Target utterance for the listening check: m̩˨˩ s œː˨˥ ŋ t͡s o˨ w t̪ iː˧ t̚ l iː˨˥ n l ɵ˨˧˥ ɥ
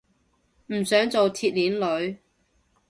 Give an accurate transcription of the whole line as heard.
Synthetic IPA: m̩˨˩ s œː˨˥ ŋ t͡s o˨ w t̪ʰ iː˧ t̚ l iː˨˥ n l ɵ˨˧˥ ɥ